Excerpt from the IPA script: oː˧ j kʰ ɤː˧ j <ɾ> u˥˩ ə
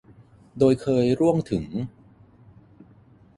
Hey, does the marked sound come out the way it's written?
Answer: yes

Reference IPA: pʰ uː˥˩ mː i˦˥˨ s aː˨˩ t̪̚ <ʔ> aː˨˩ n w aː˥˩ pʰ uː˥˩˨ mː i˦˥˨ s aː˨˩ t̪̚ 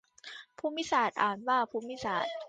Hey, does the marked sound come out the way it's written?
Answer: yes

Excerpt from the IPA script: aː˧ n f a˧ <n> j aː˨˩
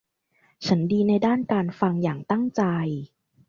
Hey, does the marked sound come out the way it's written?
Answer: no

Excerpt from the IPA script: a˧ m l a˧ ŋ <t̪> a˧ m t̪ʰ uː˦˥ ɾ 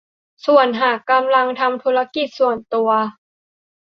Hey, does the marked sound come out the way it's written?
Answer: no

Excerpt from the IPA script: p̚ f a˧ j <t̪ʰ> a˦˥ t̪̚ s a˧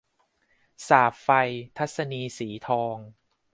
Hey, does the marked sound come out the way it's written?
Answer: yes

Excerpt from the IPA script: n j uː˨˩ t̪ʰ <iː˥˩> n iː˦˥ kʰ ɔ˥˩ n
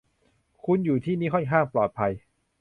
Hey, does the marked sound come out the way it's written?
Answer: yes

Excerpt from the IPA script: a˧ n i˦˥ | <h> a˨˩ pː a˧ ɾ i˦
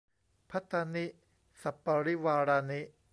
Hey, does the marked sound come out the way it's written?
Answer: no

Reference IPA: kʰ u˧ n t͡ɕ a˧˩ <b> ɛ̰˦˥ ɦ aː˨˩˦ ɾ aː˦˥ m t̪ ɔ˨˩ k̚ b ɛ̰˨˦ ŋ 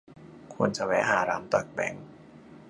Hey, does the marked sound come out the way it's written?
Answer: no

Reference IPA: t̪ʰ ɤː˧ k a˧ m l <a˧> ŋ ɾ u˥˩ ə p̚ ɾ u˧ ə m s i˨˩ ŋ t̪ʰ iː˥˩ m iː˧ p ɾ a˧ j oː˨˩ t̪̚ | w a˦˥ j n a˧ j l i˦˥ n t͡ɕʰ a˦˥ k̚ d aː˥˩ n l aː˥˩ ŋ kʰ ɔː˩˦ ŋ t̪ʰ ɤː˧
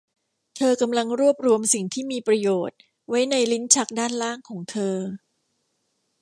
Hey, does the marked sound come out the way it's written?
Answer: yes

